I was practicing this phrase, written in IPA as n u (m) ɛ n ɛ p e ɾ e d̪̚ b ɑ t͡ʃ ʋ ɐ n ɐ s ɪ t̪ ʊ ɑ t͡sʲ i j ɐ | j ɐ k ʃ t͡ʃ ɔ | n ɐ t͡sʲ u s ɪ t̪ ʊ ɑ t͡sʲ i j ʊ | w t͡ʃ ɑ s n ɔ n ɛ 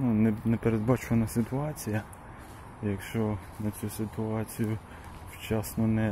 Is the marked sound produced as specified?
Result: no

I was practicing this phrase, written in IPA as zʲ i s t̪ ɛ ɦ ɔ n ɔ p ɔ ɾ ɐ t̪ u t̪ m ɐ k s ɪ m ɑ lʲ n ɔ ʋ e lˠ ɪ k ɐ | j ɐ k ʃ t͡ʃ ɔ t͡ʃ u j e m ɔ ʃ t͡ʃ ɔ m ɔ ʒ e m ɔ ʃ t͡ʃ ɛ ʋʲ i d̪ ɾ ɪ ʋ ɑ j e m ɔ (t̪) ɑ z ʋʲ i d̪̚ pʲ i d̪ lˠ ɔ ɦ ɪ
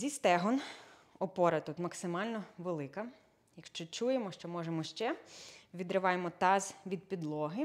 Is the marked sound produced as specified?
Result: yes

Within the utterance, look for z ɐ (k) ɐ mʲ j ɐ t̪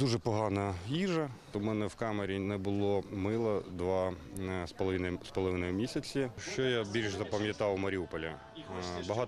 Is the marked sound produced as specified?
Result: no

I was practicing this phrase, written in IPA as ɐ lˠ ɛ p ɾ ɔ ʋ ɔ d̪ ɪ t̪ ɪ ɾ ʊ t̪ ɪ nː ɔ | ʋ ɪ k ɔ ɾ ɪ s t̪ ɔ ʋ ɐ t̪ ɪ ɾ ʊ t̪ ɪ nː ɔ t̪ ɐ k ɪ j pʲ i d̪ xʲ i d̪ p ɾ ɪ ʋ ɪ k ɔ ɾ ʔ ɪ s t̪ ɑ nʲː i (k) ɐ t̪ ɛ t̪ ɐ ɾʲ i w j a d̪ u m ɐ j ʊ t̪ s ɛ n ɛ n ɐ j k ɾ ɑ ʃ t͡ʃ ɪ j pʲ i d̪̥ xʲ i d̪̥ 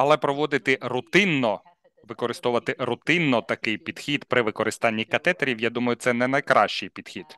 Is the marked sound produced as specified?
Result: yes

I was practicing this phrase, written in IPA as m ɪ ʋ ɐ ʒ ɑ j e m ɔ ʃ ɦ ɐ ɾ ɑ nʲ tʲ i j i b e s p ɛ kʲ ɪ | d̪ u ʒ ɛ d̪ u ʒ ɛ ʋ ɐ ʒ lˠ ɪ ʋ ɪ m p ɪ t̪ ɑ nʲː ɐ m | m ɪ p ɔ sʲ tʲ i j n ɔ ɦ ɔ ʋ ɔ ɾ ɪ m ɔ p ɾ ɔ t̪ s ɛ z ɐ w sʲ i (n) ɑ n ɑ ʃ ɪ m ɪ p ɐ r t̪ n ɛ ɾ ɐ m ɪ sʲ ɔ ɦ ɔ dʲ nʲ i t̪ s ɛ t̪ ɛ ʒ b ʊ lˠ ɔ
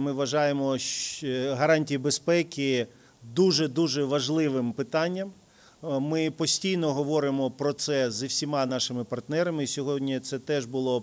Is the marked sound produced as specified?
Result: no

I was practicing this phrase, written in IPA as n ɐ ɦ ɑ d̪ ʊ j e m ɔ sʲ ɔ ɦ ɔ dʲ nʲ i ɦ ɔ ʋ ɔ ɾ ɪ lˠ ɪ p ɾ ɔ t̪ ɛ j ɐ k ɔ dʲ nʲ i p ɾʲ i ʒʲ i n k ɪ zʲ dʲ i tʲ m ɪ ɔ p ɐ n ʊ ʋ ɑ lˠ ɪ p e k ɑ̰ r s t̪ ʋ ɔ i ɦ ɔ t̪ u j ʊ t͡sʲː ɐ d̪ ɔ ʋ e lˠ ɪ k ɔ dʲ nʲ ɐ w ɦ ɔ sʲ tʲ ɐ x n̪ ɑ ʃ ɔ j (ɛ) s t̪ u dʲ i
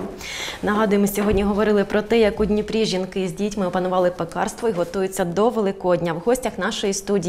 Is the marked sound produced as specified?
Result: no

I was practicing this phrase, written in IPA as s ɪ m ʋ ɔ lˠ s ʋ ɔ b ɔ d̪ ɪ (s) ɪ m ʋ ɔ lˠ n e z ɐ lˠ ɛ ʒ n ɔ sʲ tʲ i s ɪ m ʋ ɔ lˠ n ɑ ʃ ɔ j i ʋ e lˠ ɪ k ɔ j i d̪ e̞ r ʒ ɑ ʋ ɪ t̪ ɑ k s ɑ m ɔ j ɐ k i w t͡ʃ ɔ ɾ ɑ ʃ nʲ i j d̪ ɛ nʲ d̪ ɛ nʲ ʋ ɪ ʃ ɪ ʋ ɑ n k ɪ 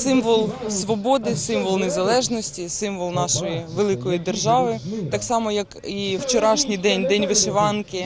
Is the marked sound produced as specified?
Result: yes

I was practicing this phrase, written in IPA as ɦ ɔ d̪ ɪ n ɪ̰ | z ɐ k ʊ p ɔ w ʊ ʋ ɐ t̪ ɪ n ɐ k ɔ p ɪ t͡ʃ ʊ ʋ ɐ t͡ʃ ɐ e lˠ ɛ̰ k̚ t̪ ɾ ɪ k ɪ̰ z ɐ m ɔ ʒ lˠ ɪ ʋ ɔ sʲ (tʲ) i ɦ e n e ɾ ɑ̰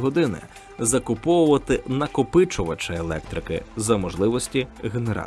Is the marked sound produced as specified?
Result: yes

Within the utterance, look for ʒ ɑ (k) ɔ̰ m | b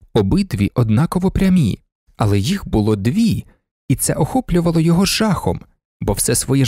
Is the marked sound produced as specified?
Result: no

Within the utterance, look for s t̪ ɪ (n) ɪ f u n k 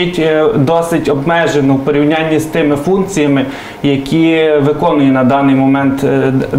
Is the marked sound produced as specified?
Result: no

